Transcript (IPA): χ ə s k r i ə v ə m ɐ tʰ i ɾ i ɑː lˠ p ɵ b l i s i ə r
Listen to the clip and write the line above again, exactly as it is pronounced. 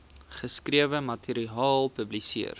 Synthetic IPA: χ ə s k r i ə v ə m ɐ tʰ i ɾ i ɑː lˠ p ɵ b l i s i ə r